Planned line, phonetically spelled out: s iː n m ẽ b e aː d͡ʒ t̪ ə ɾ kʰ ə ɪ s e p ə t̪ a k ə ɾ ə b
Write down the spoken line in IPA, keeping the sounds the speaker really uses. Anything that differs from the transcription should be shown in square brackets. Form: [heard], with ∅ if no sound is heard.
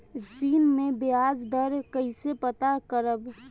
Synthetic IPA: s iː n m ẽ b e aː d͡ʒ [d̪] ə ɾ [k] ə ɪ s e p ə t̪ a k ə ɾ ə b